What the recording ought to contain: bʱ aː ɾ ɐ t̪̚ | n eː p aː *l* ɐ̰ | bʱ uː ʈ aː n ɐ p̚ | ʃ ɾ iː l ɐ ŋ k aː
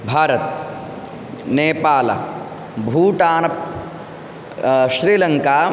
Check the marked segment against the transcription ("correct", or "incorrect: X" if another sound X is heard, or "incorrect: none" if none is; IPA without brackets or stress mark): correct